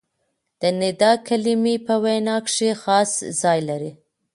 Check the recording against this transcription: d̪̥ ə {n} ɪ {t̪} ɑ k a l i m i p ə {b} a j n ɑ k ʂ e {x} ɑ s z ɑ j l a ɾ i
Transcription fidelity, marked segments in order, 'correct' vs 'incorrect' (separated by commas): correct, incorrect, incorrect, correct